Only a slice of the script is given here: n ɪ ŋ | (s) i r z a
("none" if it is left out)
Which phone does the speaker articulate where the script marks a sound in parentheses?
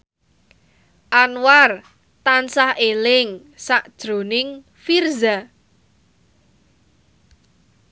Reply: f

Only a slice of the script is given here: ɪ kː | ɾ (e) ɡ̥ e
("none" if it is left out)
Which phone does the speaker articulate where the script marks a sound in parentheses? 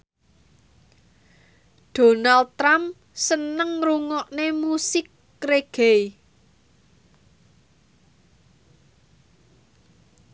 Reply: e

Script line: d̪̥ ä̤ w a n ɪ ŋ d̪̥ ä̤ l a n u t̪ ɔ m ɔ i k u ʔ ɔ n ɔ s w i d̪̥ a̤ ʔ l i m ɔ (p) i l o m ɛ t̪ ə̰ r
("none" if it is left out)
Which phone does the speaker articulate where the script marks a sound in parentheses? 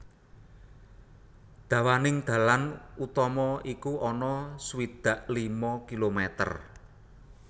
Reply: k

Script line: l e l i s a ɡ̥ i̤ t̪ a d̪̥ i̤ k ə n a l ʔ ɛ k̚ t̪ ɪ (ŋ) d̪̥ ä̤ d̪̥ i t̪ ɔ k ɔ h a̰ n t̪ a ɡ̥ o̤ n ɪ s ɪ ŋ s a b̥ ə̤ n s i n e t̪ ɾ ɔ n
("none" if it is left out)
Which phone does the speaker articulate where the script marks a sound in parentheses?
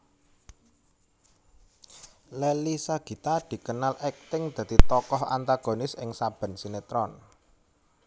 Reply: ŋ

